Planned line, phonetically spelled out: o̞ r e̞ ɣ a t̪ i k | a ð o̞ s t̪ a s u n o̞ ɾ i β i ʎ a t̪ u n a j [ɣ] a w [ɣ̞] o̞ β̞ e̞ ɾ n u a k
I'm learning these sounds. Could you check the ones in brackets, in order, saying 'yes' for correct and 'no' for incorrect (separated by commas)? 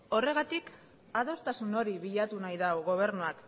no, yes